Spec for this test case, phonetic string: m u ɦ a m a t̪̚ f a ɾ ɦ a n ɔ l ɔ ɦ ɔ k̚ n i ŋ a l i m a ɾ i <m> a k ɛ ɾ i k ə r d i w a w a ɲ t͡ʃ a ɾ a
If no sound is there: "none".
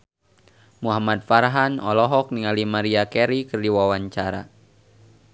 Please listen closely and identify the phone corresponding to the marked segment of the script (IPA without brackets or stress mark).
none